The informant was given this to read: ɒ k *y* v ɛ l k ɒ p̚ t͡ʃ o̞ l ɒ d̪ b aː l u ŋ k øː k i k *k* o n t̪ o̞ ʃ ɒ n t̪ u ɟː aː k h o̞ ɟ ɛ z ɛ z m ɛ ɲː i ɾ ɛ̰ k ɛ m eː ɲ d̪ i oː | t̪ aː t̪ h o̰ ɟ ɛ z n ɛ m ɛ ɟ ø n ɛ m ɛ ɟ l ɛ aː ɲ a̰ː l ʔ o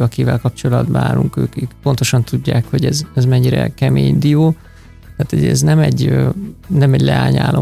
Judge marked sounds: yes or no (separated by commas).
no, no